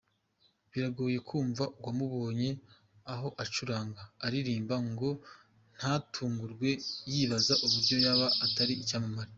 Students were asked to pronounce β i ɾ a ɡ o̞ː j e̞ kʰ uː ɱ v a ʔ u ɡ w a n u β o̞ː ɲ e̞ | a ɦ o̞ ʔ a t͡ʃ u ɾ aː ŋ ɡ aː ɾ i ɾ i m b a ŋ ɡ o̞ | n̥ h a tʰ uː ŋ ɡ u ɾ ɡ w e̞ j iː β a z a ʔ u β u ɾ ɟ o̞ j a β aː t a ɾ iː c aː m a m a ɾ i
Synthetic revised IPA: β i ɾ a ɡ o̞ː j e̞ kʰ uː ɱ v a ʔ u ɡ w a m u β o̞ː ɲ e̞ | a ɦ o̞ ʔ a t͡ʃ u ɾ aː ŋ ɡ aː ɾ i ɾ iː m b a ŋ ɡ o̞ | n̥ h a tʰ uː ŋ ɡ u ɾ ɡ w e̞ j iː β a z a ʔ u β u ɾ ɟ o̞ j a β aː t a ɾ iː c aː m a m a ɾ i

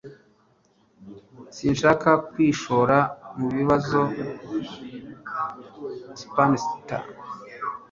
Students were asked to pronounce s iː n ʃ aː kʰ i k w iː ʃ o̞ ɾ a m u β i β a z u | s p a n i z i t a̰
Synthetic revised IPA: s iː n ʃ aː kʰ a k w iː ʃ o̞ ɾ a m u β i β a z o | s p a n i s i t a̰

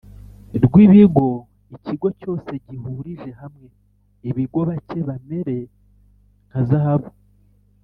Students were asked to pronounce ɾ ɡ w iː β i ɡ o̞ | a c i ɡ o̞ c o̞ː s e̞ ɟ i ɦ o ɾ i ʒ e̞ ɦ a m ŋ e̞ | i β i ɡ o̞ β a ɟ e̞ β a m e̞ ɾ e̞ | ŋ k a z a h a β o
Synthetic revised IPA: ɾ ɡ w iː β i ɡ o̞ | i c i ɡ o̞ c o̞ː s e̞ ɟ i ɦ u ɾ i ʒ e̞ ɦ a m ŋ e̞ | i β i ɡ o̞ β a c e̞ β a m e̞ ɾ e̞ | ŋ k a z a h a β o

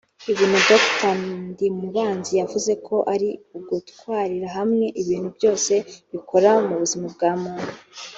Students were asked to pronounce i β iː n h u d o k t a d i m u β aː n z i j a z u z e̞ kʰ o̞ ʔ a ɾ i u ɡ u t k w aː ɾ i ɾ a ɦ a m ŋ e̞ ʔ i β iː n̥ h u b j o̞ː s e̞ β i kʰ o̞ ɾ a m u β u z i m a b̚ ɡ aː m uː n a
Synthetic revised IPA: i β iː n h u d o k t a d i m u β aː n z i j a v u z e̞ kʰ o̞ ʔ a ɾ i u ɡ u t k w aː ɾ i ɾ a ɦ a m ŋ e̞ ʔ i β iː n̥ h u b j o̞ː s e̞ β i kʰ o̞ ɾ a m u β u z i m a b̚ ɡ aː m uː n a

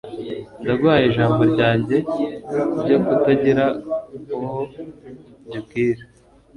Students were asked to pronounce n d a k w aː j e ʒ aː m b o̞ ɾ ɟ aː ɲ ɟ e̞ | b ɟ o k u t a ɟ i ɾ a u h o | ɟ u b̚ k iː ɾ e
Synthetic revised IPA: n d a ɡ w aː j e ʒ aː m b o̞ ɾ ɟ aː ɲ ɟ e̞ | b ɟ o k u t a ɟ i ɾ a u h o | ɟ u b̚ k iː ɾ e

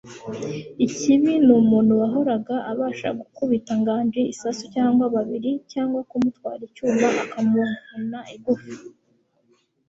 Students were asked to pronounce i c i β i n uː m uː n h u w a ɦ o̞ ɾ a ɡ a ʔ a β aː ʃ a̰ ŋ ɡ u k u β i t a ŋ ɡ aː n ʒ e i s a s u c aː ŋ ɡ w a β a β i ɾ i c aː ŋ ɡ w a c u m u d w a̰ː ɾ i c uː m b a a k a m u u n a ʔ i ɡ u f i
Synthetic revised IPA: i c i β i n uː m uː n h u w a ɦ o̞ ɾ a ɡ a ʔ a β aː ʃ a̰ ɡ u k u β i t a ŋ ɡ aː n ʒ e i s a s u c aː ŋ ɡ w a β a β i ɾ i c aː ŋ ɡ w a k u m u t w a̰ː ɾ i c uː m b a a k a m u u n a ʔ i ɡ u f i

